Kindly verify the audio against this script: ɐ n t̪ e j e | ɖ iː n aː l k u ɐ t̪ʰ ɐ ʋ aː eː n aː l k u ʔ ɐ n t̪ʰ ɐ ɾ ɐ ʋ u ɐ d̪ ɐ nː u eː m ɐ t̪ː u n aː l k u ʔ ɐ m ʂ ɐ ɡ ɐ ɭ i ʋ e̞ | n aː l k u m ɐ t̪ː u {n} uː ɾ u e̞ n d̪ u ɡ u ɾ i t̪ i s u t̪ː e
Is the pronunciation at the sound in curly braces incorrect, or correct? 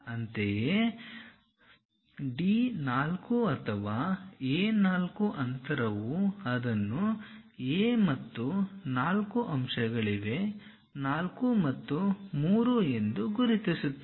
incorrect